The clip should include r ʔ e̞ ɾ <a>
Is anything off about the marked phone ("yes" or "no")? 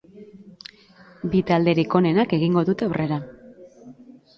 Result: no